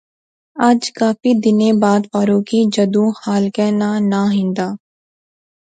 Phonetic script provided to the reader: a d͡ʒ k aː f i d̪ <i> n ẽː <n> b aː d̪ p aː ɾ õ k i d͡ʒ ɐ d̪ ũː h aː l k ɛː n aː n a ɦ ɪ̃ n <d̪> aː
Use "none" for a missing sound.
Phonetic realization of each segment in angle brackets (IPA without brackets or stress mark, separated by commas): ɪ, none, d̪